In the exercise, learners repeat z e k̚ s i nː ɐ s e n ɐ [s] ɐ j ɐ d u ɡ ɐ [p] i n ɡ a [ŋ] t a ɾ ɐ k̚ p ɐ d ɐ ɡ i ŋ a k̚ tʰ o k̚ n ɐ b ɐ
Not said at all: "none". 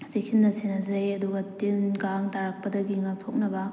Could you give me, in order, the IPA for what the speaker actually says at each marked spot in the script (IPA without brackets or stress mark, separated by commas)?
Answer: z, t, ŋ